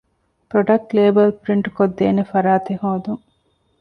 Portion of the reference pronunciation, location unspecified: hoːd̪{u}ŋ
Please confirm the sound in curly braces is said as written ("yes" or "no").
yes